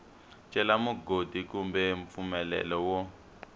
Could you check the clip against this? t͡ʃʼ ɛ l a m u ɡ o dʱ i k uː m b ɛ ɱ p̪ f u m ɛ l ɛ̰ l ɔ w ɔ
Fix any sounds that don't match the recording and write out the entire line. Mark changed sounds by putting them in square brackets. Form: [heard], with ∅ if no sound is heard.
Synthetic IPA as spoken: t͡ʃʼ ɛ l a m u ɡ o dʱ i k [u] m b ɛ ɱ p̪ f u m ɛ l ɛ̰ l ɔ w ɔ